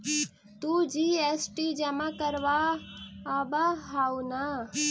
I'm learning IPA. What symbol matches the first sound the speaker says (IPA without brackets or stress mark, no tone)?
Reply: t̪